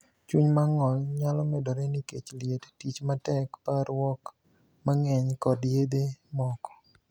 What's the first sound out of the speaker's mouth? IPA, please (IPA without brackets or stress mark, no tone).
t͡ʃ